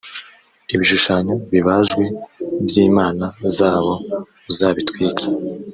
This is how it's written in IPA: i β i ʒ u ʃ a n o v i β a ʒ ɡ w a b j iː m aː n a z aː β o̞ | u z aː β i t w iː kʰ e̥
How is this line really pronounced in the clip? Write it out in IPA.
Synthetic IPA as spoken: i β i ʃ u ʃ a ɲ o β i β a ʒ ɡ w e b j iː m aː n a z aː β o̞ | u z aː β i t w iː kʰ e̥